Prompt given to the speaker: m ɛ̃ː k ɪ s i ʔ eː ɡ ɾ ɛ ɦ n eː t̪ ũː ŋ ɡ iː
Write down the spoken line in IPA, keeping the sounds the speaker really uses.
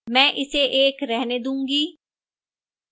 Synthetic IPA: m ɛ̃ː ʔ ɪ s e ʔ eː k ɾ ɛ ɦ n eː d̪ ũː ŋ ɡ iː